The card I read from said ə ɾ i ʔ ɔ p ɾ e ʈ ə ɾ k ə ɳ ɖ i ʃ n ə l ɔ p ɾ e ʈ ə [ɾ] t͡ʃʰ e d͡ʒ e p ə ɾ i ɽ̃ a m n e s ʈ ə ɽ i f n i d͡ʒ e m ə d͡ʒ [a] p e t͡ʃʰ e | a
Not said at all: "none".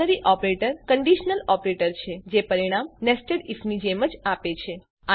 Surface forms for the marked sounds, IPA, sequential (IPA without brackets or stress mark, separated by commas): ɾ, a